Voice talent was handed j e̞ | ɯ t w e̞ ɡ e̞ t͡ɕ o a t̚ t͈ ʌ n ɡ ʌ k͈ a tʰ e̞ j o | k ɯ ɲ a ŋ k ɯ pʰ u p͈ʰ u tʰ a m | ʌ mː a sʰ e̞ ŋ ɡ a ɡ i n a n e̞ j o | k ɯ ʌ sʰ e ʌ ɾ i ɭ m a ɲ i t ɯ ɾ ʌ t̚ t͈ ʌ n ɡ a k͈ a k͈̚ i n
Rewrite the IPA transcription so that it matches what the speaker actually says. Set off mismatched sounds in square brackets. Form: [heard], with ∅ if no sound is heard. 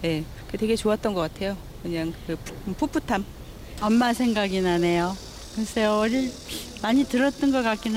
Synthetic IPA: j e̞ | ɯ t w e̞ ɡ e̞ t͡ɕ o a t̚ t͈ ʌ n ɡ ʌ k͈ a tʰ e̞ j o | k ɯ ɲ a ŋ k ɯ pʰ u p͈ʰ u tʰ a m | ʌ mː a sʰ e̞ ŋ ɡ a ɡ i n a n e̞ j o | k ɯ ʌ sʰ e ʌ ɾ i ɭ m a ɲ i t ɯ ɾ ʌ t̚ t͈ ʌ n ɡ [ʌ] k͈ a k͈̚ i n